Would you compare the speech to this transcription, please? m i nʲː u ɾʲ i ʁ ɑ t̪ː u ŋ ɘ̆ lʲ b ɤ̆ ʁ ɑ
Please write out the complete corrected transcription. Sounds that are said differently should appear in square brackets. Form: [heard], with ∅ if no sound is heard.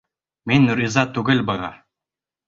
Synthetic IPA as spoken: m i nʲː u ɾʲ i [z] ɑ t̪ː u [ɡ] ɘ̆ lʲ b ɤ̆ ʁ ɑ